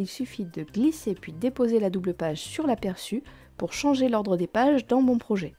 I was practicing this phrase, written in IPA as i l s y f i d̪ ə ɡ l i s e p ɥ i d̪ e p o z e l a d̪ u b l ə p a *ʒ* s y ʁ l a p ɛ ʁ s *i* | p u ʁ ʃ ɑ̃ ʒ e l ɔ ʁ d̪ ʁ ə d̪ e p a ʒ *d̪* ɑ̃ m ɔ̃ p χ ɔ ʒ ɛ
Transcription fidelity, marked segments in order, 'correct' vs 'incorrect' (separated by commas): correct, incorrect, correct